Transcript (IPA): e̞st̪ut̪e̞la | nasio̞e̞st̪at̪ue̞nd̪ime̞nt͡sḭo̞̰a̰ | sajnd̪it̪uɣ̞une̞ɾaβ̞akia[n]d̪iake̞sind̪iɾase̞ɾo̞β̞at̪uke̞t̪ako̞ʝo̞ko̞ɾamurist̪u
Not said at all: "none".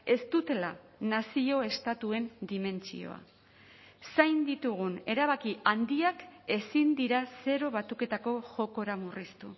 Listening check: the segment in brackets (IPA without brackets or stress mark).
n